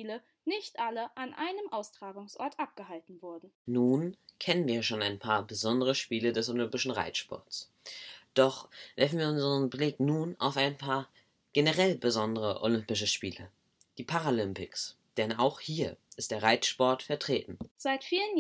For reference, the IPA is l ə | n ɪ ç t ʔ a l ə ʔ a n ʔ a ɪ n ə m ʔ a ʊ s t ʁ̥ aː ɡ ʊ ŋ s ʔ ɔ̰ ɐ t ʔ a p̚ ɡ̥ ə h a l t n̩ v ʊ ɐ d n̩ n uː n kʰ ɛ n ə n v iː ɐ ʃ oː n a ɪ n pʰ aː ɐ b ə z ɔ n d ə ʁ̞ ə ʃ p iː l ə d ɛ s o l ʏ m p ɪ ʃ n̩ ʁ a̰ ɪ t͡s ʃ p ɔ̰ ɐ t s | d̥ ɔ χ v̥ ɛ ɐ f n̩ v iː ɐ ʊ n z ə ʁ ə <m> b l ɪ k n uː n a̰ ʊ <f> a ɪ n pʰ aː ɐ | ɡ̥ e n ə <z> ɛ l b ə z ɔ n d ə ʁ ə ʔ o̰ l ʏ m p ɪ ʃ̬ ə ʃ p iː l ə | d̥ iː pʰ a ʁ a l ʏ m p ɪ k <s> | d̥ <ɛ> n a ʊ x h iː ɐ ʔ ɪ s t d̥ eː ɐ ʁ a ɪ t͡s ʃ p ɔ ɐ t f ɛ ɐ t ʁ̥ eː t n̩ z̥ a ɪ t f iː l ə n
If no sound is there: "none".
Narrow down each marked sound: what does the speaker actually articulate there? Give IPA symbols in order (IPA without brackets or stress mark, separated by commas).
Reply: n, f, ʁ, s, ɛ